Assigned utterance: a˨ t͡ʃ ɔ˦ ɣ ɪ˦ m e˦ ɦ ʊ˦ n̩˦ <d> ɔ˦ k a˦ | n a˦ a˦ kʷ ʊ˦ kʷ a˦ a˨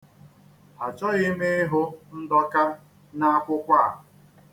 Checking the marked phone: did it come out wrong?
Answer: no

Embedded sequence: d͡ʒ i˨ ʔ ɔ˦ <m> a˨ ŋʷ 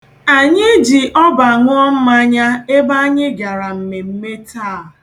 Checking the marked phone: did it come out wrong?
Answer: yes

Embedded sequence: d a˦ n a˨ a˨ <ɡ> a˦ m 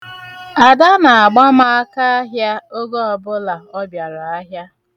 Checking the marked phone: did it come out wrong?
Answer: yes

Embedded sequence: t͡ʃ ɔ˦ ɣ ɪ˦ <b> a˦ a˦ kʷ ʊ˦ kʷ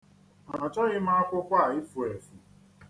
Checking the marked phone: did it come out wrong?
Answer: yes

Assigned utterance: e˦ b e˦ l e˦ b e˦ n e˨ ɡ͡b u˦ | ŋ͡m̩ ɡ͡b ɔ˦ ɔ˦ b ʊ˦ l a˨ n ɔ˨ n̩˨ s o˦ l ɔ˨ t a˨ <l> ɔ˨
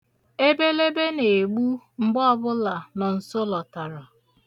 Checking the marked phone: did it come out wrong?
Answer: yes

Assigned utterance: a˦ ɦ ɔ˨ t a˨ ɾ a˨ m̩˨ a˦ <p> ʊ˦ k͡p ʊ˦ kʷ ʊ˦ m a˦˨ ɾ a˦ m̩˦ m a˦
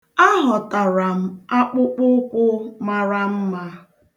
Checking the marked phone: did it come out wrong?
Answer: yes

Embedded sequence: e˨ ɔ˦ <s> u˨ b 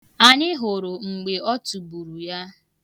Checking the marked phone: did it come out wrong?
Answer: yes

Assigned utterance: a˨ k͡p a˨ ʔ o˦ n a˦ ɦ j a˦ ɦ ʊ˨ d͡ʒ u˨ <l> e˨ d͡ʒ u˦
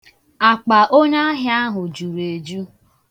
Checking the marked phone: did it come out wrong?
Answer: yes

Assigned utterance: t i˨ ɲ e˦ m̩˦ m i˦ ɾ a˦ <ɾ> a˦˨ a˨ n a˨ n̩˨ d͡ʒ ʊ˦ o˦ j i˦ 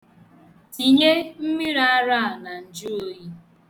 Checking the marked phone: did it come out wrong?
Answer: no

